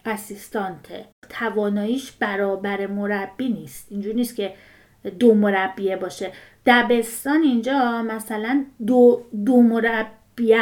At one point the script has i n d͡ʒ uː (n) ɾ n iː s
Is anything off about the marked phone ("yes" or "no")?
yes